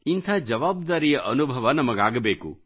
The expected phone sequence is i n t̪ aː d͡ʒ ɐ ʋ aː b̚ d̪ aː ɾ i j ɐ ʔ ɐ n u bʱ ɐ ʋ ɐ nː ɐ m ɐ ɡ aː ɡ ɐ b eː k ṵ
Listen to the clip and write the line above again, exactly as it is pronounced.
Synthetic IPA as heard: i n t̪ʰ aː d͡ʒ ɐ ʋ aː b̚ d̪ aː ɾ i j ɐ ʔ ɐ n u bʱ ɐ ʋ ɐ n ɐ m ɐ ɡ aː ɡ ɐ b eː k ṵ